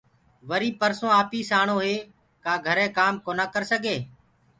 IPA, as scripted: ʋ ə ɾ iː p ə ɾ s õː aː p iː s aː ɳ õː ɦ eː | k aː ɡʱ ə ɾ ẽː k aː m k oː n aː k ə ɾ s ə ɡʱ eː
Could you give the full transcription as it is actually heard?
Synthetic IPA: ʋ ə ɾ iː p ə ɾ s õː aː p iː s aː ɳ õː ɦ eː | k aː ɡʱ ə ɾ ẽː k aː m k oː n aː k ə ɾ s ə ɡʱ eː